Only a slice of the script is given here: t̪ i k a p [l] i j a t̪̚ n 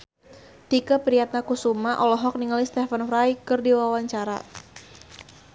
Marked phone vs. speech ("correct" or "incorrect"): incorrect